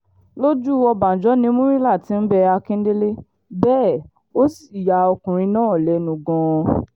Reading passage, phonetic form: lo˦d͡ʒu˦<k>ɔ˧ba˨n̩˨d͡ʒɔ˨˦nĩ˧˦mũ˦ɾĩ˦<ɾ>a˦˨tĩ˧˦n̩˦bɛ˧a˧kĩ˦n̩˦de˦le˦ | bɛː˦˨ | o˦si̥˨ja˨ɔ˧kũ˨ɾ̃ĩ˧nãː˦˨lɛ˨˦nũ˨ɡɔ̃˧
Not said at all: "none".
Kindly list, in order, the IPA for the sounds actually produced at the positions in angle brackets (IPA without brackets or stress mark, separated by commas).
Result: none, l